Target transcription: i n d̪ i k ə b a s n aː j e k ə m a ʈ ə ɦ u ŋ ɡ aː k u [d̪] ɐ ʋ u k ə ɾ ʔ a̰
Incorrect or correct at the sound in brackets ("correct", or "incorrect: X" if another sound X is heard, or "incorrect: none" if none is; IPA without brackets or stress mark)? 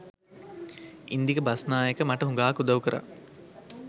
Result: correct